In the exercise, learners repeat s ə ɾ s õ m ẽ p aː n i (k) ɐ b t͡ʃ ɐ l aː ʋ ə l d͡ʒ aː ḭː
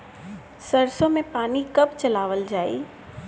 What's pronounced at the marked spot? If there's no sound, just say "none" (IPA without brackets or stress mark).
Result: k